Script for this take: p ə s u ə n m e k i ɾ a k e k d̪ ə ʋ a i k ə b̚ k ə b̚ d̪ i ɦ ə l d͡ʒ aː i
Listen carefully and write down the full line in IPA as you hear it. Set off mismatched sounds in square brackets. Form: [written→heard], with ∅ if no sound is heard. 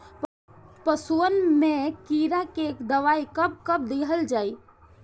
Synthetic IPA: p ə s u ə n m e k i ɾ a k e k d̪ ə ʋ a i k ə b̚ k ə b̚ d̪ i ɦ ə l d͡ʒ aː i